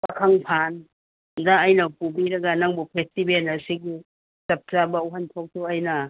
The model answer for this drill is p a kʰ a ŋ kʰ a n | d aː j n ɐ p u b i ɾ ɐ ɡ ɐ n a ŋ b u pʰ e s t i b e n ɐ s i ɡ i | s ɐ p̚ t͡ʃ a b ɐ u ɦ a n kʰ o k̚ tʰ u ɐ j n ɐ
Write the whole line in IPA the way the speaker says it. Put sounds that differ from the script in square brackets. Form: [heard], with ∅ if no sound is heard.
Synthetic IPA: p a kʰ a ŋ [pʰ] a n | d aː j n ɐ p u b i ɾ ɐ ɡ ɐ n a ŋ b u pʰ e s t i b e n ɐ s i ɡ i | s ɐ p̚ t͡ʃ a b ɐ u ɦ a n [tʰ] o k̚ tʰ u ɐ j n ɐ